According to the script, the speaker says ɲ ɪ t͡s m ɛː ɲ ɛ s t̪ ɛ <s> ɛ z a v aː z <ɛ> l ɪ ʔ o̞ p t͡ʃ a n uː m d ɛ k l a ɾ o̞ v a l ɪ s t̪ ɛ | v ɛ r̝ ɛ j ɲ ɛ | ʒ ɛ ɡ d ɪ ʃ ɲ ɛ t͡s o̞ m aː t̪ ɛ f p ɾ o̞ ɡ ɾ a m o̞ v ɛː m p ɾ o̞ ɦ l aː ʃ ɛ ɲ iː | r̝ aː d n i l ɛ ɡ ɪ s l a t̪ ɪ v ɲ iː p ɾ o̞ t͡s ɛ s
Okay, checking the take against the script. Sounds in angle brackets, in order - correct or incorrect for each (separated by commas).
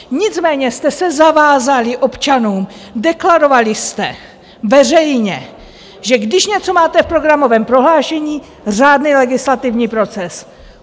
correct, incorrect